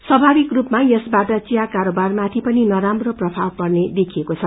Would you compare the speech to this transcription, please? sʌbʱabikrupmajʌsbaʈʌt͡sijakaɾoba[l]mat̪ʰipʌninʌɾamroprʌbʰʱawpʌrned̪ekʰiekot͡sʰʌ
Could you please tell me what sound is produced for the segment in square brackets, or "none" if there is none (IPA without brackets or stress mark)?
r